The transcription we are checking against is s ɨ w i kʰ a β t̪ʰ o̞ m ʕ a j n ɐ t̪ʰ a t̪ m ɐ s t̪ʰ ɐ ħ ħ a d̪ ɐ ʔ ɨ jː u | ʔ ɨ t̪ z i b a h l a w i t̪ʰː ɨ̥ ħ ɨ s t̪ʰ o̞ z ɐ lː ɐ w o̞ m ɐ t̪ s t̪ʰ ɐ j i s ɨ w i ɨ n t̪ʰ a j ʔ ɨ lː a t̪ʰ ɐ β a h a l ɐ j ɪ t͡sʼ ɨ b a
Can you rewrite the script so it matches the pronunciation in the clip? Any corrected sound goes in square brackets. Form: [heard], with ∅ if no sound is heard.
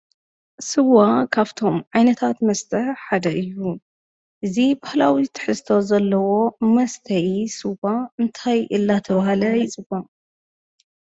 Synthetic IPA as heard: s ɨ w [a] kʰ a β t̪ʰ o̞ m ʕ a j n ɐ t̪ʰ a t̪ m ɐ s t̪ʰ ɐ ħ ħ a d̪ ɐ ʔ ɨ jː u | ʔ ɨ [∅] z i b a h l a w i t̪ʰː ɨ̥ ħ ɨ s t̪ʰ o̞ z ɐ lː ɐ w o̞ m ɐ [∅] s t̪ʰ ɐ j i s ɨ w [a] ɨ n t̪ʰ a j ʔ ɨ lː a t̪ʰ ɐ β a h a l ɐ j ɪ t͡sʼ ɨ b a